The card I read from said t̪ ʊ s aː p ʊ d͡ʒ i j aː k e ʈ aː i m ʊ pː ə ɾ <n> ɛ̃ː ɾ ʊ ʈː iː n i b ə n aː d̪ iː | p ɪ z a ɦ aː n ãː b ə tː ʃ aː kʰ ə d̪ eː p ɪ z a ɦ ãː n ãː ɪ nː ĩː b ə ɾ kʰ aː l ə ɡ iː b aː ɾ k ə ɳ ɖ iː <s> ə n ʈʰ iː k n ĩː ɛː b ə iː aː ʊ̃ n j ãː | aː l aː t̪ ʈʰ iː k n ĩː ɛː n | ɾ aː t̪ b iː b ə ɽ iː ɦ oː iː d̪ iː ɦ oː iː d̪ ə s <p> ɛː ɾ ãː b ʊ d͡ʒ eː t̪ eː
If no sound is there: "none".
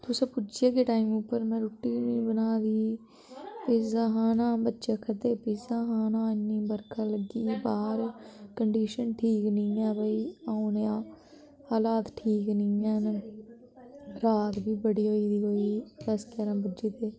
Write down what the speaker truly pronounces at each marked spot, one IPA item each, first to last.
m, ʃ, k

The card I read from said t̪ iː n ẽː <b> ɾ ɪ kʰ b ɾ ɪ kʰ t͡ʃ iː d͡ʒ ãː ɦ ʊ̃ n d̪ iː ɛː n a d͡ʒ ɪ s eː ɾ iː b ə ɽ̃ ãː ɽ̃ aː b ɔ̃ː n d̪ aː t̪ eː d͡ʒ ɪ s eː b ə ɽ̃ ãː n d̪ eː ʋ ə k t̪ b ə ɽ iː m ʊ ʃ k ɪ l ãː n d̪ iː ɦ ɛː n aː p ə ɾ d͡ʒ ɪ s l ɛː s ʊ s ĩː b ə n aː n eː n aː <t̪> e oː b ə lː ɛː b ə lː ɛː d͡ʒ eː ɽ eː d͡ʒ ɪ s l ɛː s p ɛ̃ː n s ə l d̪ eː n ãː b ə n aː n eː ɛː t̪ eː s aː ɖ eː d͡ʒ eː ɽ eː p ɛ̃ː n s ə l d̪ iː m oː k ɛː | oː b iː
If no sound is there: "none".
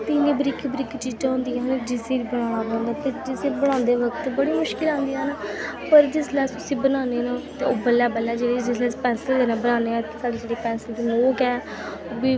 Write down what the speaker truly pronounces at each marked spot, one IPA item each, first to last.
b, t̪

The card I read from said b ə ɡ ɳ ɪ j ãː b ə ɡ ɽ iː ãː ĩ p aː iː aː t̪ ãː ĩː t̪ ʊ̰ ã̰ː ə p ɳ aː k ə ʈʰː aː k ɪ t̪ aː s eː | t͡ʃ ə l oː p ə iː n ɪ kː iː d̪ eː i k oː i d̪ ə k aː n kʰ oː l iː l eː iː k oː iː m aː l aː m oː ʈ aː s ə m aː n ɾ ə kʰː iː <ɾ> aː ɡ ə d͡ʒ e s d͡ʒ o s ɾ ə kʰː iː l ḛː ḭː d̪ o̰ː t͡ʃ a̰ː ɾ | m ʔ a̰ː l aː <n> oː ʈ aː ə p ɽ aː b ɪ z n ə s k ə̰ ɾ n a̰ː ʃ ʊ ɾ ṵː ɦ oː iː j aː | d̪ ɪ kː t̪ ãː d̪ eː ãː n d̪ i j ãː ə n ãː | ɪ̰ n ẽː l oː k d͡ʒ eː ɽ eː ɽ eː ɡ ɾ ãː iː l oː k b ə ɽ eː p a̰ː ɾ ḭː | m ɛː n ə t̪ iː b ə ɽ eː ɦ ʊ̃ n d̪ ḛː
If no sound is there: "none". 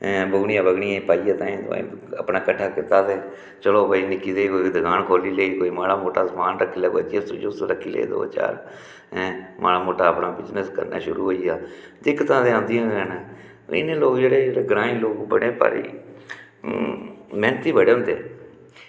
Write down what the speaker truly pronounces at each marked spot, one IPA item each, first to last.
l, m

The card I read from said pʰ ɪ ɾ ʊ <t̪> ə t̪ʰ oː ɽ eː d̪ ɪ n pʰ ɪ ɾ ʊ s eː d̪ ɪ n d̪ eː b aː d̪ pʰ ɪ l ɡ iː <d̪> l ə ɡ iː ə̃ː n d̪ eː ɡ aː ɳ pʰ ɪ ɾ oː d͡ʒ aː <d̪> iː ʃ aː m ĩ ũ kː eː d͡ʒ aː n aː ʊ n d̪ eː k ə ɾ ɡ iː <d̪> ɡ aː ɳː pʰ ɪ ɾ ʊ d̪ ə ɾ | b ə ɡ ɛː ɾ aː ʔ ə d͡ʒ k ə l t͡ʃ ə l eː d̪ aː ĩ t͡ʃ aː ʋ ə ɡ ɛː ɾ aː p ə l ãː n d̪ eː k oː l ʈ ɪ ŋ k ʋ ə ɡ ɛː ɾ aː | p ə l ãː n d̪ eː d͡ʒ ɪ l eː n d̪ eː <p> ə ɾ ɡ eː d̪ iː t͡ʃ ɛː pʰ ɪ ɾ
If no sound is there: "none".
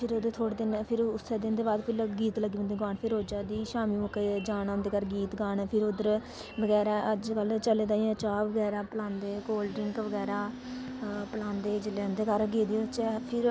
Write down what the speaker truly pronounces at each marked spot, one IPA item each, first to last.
d̪, t̪, d̪, t̪, k

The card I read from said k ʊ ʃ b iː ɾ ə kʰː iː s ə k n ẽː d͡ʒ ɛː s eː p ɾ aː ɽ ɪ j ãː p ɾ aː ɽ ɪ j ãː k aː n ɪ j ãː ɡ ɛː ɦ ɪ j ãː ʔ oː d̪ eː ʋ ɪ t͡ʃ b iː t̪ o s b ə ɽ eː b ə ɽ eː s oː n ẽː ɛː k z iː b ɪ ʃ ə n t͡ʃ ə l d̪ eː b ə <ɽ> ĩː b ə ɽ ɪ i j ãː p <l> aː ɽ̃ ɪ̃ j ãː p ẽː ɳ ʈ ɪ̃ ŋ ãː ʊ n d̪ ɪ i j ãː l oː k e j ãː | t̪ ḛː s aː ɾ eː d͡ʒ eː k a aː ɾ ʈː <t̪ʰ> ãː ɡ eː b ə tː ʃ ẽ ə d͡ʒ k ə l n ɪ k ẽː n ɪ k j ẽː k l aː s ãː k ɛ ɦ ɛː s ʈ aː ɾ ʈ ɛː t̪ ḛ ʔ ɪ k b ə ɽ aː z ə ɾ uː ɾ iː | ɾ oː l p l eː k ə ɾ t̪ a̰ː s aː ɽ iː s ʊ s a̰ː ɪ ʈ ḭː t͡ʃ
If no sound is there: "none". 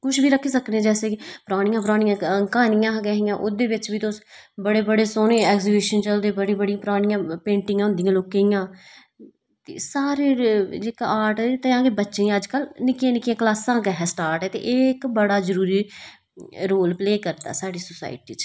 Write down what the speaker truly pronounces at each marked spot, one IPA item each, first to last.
ɽ, ɾ, t̪

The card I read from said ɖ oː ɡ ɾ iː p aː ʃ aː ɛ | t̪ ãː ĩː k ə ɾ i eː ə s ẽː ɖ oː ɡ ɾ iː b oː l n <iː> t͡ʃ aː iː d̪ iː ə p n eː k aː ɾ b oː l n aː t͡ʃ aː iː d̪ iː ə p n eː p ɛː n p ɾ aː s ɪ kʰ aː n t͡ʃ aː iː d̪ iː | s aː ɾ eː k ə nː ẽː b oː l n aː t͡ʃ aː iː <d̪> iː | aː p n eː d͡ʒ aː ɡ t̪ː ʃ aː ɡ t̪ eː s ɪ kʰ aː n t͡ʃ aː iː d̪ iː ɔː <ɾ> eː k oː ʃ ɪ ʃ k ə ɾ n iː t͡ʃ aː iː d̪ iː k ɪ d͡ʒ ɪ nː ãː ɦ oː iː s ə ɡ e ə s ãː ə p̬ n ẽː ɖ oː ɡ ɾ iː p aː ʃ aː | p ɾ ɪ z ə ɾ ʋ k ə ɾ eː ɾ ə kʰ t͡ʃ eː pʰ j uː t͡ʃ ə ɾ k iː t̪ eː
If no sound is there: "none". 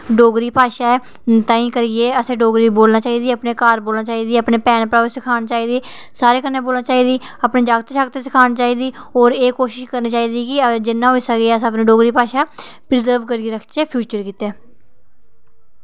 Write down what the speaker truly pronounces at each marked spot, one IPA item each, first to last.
aː, d̪, ɾ

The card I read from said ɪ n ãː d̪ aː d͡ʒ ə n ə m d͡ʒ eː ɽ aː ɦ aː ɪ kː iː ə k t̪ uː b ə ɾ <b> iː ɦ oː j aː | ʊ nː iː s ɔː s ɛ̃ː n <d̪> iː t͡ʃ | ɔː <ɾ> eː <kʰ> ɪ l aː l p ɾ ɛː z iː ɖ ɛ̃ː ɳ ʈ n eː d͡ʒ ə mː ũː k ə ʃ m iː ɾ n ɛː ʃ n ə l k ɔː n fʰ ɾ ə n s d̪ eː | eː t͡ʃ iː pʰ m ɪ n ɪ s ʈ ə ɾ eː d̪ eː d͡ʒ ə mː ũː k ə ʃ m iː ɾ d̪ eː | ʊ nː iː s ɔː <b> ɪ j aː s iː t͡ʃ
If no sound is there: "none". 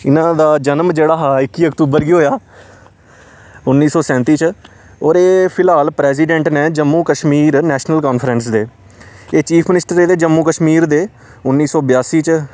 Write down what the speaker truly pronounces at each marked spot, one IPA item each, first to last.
ɡ, t̪, ɾ, pʰ, b

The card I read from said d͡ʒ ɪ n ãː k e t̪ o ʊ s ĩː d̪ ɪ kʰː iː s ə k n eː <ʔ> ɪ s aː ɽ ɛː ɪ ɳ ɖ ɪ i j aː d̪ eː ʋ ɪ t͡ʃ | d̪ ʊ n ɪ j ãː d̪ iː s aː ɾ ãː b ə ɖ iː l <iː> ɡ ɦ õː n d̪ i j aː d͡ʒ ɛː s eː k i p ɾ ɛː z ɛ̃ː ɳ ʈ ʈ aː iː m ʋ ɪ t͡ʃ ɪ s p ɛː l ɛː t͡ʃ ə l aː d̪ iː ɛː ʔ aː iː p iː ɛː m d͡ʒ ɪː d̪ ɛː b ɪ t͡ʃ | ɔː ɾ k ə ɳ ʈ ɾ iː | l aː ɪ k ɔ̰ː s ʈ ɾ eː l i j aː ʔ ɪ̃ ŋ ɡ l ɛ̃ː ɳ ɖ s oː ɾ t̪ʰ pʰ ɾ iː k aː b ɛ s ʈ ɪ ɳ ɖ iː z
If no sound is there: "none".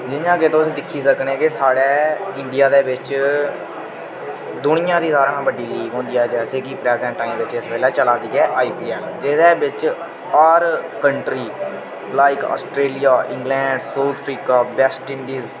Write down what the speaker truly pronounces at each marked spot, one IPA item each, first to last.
k, iː

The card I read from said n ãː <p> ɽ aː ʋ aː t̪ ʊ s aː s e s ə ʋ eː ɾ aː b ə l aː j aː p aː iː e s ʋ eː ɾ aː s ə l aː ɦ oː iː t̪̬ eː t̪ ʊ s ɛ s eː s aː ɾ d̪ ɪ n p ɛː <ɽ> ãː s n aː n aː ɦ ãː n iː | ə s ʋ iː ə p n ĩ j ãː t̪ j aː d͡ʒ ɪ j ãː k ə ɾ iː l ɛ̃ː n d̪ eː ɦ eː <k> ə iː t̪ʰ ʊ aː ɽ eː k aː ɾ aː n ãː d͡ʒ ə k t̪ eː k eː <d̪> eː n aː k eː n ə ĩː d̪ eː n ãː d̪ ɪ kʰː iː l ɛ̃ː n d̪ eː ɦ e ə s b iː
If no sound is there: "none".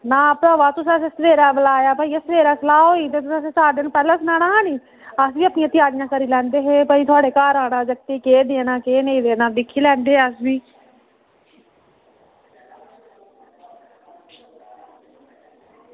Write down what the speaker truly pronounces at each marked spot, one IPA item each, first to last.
p, l, p, d̪

